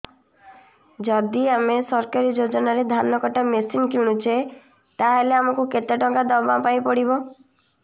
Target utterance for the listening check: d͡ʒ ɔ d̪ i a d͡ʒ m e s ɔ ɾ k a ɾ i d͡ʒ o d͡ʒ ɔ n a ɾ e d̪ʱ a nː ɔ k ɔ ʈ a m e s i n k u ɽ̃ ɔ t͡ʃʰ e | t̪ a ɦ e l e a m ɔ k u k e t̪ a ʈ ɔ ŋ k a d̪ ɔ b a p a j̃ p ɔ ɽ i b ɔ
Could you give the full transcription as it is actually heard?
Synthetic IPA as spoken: d͡ʒ ɔ d̪ i a m e s ɔ ɾ k a ɾ i d͡ʒ o d͡ʒ ɔ n a ɾ e d̪ʱ a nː ɔ k ɔ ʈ a m e s i n k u ɽ̃ u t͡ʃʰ e | t̪ a ɦ e l e a m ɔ k u k e t̪ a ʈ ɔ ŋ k a d̪ ɔ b a p a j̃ p ɔ ɽ i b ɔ

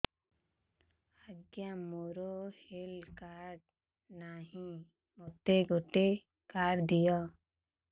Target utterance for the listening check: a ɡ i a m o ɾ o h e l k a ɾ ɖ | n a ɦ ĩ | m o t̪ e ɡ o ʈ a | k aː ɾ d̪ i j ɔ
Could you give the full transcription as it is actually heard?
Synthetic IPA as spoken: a ɡ j a m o ɾ o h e l k a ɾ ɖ | n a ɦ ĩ | m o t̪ e ɡ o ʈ e | k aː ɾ d̪ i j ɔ

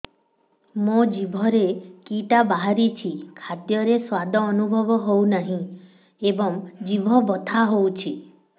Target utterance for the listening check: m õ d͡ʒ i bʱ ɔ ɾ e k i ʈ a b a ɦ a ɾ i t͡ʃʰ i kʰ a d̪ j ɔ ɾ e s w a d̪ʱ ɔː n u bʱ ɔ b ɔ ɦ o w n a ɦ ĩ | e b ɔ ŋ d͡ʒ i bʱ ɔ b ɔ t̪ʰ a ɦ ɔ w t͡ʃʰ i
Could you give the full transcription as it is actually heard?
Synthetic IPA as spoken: m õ d͡ʒ i bʱ ɔ ɾ e k i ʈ a b a ɦ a ɾ i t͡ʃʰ i kʰ a d̪ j ɔ ɾ e s w a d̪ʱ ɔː n u bʱ ɔ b ɔ ɦ o w n a ɦ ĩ | e b ɔ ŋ d͡ʒ i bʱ ɔ b ɔ t̪ʰ a ɦ o w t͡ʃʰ i

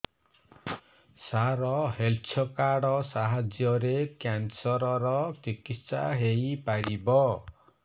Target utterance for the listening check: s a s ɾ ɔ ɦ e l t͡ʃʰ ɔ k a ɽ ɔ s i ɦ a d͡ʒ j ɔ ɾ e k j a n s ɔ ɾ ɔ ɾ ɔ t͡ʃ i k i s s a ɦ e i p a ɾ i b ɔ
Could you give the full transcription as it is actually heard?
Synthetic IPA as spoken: s a ɾ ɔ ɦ e l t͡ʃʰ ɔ k a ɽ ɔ s a ɦ a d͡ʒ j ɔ ɾ e k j a n s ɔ ɾ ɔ ɾ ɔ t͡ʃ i k i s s a ɦ e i p a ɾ i b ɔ

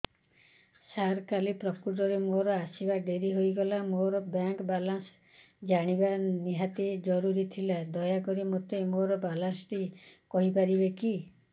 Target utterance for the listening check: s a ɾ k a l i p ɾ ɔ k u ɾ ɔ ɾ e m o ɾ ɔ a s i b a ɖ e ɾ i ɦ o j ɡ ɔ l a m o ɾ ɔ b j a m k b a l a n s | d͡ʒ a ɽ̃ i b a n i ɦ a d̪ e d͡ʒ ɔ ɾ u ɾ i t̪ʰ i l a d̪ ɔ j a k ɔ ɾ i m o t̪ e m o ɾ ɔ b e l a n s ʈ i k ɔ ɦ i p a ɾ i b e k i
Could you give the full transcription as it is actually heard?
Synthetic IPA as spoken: s a ɾ k a l i p ɾ ɔ k u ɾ ɔ ɾ e m o ɾ ɔ a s i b a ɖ e ɾ i ɦ o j ɡ ɔ l a m o ɾ ɔ b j a ŋ k b a l a n s | d͡ʒ a ɽ̃ i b a n i ɦ a t̪ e d͡ʒ ɔ ɾ u ɾ i t̪ʰ i l a d̪ ɔ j a k ɔ ɾ i m o t̪ e m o ɾ ɔ b a l a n s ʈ i k ɔ ɦ i p a ɾ i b e k i

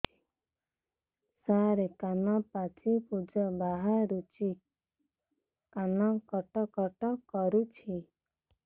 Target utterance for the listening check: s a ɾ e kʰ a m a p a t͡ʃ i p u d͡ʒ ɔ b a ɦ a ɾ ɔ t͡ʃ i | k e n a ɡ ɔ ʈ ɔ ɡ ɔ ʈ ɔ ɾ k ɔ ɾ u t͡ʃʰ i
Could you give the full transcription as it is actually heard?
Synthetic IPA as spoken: s a ɾ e k a n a p a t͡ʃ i p u d͡ʒ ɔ b a ɦ a ɾ u t͡ʃ i | k a n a k ɔ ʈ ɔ k ɔ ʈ ɔ k ɔ ɾ u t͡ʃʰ i

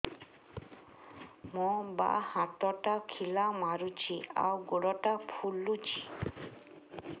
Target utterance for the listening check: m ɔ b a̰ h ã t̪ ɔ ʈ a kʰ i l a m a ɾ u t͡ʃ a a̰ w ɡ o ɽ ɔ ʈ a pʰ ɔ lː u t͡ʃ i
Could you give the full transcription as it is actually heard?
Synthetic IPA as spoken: m ɔ b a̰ h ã t̪ ɔ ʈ a kʰ i l a m a ɾ u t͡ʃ i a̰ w ɡ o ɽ ɔ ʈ a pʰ u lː u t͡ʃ i

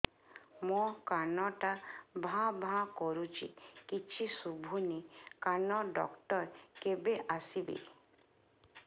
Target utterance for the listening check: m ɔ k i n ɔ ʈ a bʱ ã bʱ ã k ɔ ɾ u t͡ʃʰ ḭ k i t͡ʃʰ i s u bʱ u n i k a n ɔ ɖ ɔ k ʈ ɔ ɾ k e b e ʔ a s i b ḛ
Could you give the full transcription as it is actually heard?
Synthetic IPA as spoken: m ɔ k a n ɔ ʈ a bʱ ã bʱ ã k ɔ ɾ u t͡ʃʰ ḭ k i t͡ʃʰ i s u bʱ u n i k a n ɔ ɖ ɔ k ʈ ɔ ɾ k e b e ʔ a s i b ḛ

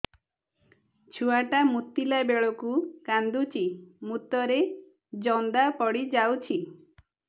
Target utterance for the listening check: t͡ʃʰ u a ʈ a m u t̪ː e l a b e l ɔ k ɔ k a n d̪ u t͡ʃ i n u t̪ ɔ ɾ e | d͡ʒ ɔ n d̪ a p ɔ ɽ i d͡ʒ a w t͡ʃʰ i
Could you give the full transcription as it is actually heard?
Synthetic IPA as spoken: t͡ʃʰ u a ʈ a m u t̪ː i l a b e ɭ ɔ k u k a n d̪ u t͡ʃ i m u t̪ ɔ ɾ e | d͡ʒ ɔ n d̪ a p ɔ ɽ i d͡ʒ a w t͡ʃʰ i

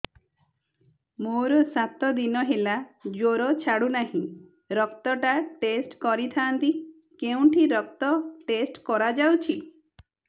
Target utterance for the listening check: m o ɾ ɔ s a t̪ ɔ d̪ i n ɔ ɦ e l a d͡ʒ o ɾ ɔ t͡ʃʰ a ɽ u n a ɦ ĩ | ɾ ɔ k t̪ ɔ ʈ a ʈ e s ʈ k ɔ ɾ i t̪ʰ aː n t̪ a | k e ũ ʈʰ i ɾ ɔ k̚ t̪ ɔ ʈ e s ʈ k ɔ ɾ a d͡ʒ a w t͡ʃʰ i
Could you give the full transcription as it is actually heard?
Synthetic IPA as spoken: m o ɾ ɔ s a t̪ ɔ d̪ i n ɔ ɦ e l a d͡ʒ o ɾ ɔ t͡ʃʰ a ɽ u n a ɦ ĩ | ɾ ɔ k t̪ ɔ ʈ a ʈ e s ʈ k ɔ ɾ i t̪ʰ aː n t̪ i | k e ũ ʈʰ i ɾ ɔ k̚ t̪ ɔ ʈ e s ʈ k ɔ ɾ a d͡ʒ a w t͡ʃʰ i

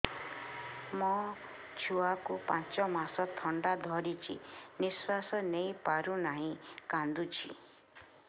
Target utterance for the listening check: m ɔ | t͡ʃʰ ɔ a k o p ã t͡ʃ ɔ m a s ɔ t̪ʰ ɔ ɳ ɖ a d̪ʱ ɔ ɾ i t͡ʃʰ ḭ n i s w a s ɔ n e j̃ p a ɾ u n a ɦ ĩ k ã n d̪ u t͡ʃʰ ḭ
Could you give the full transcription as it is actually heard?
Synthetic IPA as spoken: m ɔ | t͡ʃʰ u a k u p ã t͡ʃ ɔ m a s ɔ t̪ʰ ɔ ɳ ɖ a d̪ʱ ɔ ɾ i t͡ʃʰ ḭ n i s w a s ɔ n e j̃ p a ɾ u n a ɦ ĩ k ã n d̪ u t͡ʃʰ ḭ

